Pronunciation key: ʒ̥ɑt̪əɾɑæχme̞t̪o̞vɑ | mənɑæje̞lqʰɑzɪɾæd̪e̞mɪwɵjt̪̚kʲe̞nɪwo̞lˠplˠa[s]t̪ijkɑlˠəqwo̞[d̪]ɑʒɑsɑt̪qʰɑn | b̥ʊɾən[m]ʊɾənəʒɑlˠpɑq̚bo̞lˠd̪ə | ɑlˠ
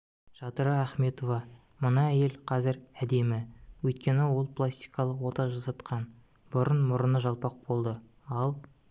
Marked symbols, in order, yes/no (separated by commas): yes, no, yes